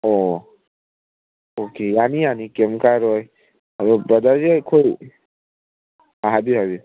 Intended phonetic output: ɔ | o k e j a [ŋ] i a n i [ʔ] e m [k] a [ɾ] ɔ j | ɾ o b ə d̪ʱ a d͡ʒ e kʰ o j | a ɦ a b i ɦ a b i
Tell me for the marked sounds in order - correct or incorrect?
incorrect: n, incorrect: k, correct, correct

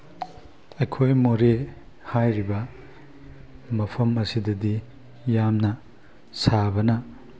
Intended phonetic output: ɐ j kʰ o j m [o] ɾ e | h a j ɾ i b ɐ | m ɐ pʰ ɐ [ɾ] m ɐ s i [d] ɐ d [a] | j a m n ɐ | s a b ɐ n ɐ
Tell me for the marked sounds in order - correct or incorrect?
correct, incorrect: none, correct, incorrect: i

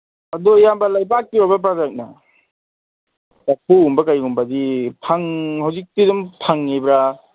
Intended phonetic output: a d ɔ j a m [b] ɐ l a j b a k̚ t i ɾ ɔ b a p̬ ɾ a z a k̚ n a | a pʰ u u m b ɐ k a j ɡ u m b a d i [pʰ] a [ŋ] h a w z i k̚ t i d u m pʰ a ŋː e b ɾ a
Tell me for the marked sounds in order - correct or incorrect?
correct, correct, correct

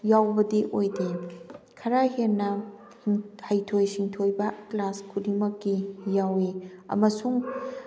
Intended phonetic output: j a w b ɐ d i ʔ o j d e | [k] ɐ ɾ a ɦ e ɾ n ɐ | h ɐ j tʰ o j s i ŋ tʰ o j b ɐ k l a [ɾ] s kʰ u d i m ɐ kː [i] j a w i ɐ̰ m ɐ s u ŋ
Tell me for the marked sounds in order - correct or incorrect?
incorrect: kʰ, incorrect: none, correct

